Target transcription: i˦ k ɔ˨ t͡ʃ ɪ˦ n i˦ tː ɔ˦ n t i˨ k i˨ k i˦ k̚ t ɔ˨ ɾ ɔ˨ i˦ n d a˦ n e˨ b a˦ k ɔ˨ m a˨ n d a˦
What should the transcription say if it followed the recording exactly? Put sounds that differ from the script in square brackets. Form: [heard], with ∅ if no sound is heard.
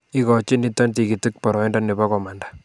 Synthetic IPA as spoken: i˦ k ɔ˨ t͡ʃ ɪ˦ n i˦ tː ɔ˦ n t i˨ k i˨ [t] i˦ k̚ [p] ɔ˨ ɾ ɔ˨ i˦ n d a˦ n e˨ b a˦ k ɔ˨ m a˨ n d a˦